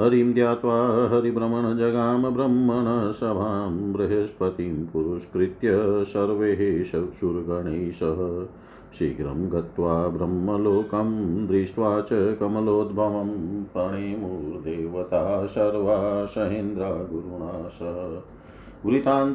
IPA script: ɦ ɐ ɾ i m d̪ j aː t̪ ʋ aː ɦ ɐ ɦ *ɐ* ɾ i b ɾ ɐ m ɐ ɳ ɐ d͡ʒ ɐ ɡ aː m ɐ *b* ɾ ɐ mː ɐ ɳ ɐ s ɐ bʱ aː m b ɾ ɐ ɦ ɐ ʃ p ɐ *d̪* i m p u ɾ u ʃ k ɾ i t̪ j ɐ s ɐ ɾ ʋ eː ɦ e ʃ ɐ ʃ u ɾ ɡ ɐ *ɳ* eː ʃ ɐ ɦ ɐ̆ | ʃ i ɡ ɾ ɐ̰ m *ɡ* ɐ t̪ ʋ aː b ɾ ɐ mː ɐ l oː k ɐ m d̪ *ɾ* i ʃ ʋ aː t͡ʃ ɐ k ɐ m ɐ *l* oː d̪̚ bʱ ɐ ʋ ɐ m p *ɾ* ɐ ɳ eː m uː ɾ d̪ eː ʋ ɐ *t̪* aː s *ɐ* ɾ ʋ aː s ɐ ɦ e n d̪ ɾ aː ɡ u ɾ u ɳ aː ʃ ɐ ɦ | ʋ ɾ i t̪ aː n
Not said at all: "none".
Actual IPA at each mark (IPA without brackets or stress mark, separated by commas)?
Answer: ɐ, b, t̪, ɳ, ɡ, ɾ, l, ɾ, t̪, ɐ